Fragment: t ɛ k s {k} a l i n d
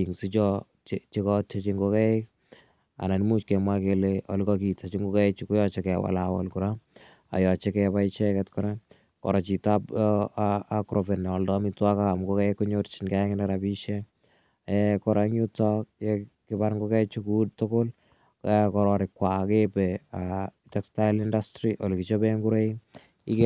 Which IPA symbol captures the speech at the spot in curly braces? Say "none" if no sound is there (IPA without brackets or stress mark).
t